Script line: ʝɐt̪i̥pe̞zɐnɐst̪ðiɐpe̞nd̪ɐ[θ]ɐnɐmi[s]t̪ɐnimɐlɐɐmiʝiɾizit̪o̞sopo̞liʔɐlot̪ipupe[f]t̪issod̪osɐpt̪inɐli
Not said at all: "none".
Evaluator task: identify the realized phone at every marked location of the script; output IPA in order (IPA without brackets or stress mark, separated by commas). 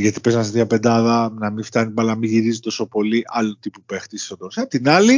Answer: ð, f, x